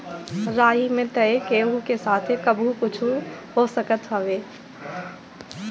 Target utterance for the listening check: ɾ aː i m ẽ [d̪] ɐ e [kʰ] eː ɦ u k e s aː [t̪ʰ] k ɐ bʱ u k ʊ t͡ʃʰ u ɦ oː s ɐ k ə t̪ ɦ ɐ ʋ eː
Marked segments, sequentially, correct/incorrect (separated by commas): incorrect, incorrect, correct